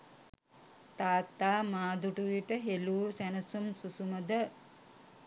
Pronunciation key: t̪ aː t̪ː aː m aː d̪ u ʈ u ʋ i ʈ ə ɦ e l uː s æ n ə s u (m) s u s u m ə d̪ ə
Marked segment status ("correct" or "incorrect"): correct